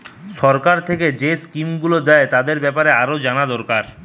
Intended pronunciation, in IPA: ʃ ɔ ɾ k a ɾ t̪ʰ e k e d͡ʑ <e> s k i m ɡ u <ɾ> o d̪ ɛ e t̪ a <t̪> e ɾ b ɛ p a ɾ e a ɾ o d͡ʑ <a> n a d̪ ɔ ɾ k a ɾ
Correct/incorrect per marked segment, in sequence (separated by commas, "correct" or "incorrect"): correct, incorrect, incorrect, correct